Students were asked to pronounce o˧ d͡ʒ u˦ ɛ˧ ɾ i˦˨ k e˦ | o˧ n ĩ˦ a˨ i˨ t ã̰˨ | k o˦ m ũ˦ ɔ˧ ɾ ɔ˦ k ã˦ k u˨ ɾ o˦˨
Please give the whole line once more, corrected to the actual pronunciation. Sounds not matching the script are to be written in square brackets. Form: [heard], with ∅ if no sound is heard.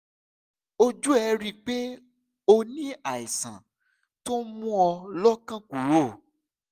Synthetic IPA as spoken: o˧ d͡ʒ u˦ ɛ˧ ɾ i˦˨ [k͡p] e˦ | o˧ n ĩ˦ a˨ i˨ [s] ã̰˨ | [t] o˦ m ũ˦ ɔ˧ [l] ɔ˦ k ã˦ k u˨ ɾ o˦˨